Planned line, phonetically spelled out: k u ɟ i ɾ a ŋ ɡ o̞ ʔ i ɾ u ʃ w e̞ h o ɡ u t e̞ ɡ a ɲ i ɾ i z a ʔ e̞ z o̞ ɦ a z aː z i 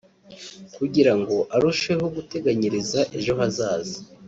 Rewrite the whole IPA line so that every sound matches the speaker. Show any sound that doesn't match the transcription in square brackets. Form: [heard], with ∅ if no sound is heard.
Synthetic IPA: k u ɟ i ɾ a ŋ ɡ o̞ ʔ [a] ɾ u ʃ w e̞ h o ɡ u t e̞ ɡ a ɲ i ɾ i z a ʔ e̞ [ʒ] o̞ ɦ a z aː z i